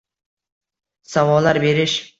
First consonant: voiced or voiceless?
voiceless